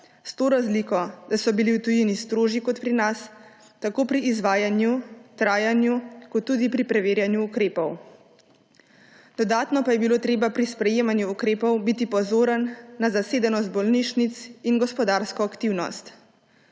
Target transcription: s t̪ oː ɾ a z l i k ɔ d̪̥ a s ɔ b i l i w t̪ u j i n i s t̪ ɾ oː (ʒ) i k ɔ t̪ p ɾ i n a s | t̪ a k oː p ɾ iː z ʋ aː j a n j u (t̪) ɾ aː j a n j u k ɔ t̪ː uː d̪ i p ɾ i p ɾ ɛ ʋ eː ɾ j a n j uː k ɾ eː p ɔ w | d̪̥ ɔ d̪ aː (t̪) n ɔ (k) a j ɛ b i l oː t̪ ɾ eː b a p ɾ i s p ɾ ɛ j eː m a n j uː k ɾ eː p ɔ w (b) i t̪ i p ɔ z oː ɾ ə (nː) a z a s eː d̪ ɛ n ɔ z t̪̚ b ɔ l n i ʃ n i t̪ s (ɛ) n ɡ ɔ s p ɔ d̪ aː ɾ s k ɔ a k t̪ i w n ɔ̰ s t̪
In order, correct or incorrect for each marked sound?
correct, correct, correct, incorrect: p, correct, correct, incorrect: i

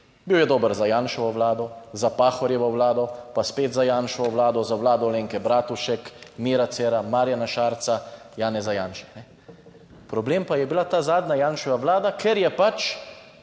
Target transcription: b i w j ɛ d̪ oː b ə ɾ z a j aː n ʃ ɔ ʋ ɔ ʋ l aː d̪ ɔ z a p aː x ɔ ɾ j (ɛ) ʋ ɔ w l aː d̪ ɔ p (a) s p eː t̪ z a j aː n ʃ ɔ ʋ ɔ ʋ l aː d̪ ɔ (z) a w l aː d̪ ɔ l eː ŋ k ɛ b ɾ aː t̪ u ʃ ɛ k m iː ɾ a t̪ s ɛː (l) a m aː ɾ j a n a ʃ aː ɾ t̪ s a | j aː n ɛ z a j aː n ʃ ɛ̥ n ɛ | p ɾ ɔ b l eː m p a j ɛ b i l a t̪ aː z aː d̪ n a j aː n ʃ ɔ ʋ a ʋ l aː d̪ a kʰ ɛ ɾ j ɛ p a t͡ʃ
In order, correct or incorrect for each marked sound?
correct, correct, correct, incorrect: ɾ

